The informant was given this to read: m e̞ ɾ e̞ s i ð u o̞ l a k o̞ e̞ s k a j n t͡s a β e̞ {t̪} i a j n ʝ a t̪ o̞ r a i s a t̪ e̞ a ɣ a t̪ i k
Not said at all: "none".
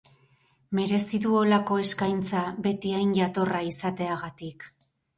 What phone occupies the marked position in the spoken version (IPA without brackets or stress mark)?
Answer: t̪